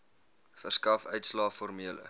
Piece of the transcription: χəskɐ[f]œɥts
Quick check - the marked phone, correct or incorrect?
correct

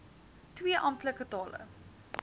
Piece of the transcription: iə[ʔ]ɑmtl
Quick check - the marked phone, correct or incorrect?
correct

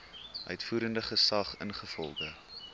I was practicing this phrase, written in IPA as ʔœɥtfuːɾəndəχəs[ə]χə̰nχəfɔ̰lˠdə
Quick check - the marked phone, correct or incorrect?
incorrect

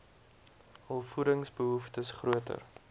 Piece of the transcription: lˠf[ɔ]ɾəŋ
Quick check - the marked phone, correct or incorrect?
incorrect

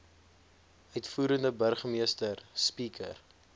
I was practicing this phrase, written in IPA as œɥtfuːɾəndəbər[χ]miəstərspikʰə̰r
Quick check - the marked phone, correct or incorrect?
correct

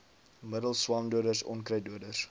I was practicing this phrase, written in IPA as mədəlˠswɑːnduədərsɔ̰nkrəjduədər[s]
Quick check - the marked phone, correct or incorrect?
correct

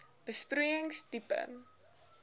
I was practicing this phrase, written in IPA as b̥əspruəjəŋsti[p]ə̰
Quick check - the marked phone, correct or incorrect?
correct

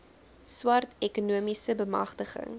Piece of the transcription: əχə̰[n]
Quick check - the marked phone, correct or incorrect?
incorrect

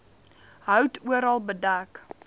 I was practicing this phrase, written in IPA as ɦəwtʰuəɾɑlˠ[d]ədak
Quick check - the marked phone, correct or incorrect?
incorrect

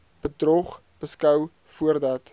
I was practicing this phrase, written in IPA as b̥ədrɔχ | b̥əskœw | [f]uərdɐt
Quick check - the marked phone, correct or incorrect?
correct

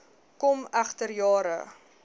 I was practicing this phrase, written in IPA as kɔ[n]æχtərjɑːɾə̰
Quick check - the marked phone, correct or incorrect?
incorrect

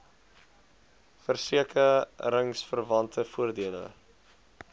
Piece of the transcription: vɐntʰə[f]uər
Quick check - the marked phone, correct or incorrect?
correct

